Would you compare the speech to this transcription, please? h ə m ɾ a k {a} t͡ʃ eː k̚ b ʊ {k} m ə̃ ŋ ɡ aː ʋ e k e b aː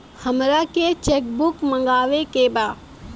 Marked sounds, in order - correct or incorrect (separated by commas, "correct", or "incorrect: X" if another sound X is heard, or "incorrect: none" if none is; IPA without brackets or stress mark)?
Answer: incorrect: e, correct